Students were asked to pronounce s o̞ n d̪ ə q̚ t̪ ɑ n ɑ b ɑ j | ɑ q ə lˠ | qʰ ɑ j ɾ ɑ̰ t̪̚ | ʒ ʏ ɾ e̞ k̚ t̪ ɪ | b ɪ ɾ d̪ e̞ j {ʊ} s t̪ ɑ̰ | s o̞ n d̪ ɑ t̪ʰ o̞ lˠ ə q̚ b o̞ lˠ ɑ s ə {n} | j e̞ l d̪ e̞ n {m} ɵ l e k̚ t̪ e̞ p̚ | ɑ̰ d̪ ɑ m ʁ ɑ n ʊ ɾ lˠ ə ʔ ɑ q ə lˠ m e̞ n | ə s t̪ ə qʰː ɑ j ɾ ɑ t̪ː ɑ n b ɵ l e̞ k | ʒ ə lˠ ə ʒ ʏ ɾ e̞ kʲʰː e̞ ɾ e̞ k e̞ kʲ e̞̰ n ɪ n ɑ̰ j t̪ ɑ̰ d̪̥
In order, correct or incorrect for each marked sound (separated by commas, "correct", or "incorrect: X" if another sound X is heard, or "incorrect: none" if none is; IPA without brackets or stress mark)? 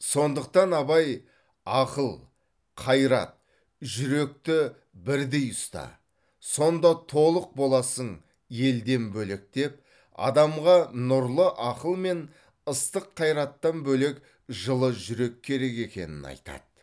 correct, incorrect: ɴ, incorrect: b